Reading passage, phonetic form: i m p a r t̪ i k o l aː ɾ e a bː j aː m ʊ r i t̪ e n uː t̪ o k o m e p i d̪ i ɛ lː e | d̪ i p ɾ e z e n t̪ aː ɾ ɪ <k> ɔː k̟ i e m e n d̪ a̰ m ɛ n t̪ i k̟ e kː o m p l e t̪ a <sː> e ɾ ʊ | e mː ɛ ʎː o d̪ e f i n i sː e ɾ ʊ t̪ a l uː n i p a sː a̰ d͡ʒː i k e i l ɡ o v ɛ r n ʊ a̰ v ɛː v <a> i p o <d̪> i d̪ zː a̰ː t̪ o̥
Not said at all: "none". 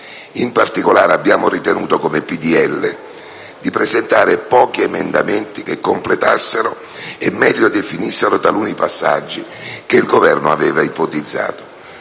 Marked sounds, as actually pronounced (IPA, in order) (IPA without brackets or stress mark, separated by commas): p, sː, a, t̪